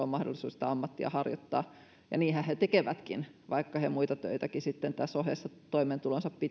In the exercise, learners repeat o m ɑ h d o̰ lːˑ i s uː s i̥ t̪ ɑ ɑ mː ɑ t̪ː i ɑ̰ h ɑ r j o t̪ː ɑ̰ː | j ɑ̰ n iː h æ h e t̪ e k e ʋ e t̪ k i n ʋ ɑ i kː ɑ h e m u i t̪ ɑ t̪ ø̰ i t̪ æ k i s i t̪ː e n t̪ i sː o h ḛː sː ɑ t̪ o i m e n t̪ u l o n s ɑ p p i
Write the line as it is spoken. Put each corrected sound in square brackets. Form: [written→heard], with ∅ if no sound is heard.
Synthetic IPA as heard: o m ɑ h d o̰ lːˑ i s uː s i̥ t̪ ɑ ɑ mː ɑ t̪ː i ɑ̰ h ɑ r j o t̪ː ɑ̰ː | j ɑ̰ n iː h æ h e t̪ e k e ʋ [e→æ] t̪ k i n ʋ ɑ i kː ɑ h e m u i t̪ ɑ t̪ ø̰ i t̪ æ k i s i t̪ː e n t̪ [i→æ] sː o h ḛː sː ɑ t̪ o i m e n t̪ u l o n s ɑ p p i

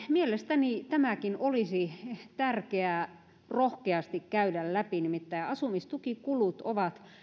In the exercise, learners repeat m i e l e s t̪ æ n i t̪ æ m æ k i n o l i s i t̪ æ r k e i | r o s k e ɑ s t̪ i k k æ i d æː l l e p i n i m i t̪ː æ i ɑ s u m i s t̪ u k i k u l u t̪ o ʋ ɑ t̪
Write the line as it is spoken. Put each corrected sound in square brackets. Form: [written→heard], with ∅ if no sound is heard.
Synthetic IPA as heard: m i e l e s t̪ æ n i t̪ æ m æ k i n o l i s i t̪ æ r k e [i→æ] | r o [s→h] k e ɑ s t̪ i k k æ [i→y] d [æː→æ] l l [e→æ] p i n i m i t̪ː æ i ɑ s u m i s t̪ u k i k u l u t̪ o ʋ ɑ t̪

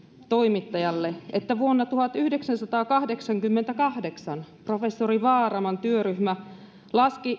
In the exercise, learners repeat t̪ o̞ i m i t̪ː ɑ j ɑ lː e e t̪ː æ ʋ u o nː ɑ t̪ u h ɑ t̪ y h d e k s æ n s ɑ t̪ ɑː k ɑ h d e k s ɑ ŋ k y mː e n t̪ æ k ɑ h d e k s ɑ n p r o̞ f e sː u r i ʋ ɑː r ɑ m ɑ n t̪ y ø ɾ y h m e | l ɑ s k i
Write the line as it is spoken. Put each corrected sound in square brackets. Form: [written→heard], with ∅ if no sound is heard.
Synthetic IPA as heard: t̪ o̞ i m i t̪ː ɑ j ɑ lː e e t̪ː æ ʋ u o nː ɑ t̪ u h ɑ t̪ y h d e k s æ n s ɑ t̪ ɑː k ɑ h d e k s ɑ ŋ k y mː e n t̪ æ k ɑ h d e k s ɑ n p r o̞ f e sː [u→o] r i ʋ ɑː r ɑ m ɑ n t̪ y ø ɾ y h m [e→æ] | l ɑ s k i

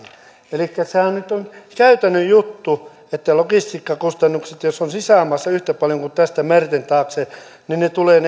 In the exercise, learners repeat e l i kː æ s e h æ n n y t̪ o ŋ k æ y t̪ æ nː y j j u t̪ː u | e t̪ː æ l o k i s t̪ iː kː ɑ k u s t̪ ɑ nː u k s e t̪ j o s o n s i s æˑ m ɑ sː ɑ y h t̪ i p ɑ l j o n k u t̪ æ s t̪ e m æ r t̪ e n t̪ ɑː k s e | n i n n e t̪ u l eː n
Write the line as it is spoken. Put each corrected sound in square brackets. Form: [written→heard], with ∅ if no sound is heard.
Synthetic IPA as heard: e l i kː æ s e h æ n n y t̪ o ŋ k æ y t̪ æ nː y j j u t̪ː u | e t̪ː æ l o k i s t̪ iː kː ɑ k u s t̪ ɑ nː u k s e t̪ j o s o n s i s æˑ m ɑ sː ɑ y h t̪ [i→æ] p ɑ l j o [n→ŋ] k u t̪ æ s t̪ [e→æ] m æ r t̪ e n t̪ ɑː k s e | n i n n e t̪ u l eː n

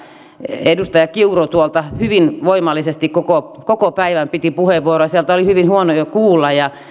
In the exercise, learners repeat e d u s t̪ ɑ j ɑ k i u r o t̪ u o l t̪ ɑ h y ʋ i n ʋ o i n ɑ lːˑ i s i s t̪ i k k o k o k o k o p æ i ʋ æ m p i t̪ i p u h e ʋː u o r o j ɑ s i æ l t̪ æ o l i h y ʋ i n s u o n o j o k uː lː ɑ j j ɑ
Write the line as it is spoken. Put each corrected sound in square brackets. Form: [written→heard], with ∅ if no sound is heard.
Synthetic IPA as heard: e d u s t̪ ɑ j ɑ k i u r o t̪ u o l t̪ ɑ h y ʋ i n ʋ o i [n→m] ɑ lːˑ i s [i→e] s t̪ i k k o k o k o k o p æ i ʋ æ m p i t̪ i p u h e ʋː u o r o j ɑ s i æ l t̪ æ o l i h y ʋ i n [s→h] u o n o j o k uː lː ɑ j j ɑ

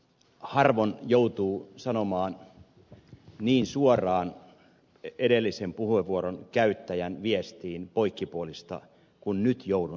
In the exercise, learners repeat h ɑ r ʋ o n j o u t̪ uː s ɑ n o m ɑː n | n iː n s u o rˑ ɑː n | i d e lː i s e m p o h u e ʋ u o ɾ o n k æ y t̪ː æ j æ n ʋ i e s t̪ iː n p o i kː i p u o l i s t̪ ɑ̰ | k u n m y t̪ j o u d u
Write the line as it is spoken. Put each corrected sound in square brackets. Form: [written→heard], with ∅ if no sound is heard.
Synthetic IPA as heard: h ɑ r ʋ o n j o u t̪ uː s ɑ n o m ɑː n | n iː n s u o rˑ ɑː n | [i→e] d e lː i s e m p [o→u] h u e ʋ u o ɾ o n k æ y t̪ː æ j æ n ʋ i e s t̪ iː n p o i kː i p u o l i s t̪ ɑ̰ | k u n [m→n] y t̪ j o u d u

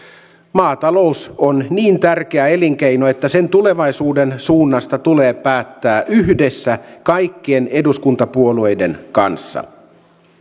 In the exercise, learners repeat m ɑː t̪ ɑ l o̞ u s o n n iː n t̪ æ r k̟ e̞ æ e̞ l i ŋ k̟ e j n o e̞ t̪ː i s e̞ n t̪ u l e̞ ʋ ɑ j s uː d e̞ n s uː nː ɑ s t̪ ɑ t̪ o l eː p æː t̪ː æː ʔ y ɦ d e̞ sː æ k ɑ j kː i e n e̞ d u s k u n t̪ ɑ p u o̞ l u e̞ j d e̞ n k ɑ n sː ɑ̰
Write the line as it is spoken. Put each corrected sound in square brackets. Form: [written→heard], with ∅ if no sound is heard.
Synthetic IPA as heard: m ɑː t̪ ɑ l o̞ u s o n n iː n t̪ æ r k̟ e̞ æ e̞ l i ŋ k̟ e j n o e̞ t̪ː [i→æ] s e̞ n t̪ u l e̞ ʋ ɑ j s uː d e̞ n s uː nː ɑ s t̪ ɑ t̪ [o→u] l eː p æː t̪ː æː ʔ y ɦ d e̞ sː æ k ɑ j kː i e n e̞ d u s k u n t̪ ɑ p u o̞ l u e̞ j d e̞ n k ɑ n sː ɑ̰

